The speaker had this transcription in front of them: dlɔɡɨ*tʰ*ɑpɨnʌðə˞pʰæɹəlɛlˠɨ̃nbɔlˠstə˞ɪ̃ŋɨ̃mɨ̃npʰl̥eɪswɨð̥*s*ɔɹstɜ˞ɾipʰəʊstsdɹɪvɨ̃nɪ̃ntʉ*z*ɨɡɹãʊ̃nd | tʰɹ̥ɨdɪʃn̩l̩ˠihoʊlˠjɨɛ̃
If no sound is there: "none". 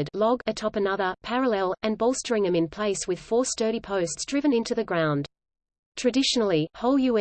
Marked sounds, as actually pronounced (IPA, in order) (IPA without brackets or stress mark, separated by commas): tʰ, f, ð